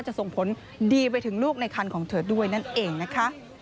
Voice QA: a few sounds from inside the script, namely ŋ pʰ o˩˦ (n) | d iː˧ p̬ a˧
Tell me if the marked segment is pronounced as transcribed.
yes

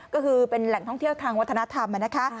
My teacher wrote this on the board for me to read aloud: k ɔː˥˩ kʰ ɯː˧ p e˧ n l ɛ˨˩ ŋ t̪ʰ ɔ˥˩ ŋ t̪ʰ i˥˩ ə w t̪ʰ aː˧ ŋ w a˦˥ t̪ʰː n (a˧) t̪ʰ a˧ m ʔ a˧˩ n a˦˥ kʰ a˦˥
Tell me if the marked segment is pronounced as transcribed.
no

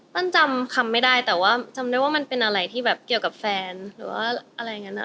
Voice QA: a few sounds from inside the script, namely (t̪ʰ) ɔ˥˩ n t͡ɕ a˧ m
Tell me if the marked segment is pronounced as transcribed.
no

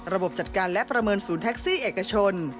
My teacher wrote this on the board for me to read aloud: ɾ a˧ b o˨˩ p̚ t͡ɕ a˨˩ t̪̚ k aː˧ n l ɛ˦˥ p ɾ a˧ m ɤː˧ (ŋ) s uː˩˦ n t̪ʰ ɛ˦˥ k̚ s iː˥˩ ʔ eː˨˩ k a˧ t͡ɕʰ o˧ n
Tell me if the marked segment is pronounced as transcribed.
no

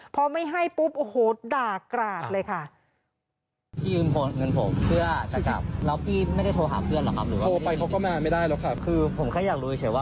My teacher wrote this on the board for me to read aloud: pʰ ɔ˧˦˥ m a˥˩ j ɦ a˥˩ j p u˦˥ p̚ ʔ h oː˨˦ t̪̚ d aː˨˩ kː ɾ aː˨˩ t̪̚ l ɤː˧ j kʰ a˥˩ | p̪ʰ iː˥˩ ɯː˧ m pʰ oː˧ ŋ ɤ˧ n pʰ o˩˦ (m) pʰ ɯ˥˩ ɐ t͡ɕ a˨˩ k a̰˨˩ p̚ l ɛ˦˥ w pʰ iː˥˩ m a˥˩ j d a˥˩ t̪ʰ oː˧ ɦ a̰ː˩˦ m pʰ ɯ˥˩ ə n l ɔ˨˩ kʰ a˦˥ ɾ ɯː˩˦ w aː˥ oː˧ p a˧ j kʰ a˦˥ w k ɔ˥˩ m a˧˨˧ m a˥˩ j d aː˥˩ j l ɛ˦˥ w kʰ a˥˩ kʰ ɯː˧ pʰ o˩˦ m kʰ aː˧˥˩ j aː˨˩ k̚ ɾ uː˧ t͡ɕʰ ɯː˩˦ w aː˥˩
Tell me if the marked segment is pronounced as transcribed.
yes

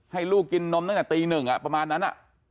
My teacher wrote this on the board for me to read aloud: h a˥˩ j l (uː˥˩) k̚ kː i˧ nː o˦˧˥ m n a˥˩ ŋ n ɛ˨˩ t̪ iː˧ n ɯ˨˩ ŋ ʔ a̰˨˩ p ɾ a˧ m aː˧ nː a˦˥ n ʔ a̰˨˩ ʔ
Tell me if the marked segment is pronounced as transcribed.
yes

